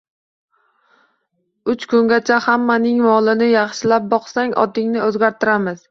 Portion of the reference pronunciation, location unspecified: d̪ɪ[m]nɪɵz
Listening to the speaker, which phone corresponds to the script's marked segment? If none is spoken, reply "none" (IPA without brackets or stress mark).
ŋ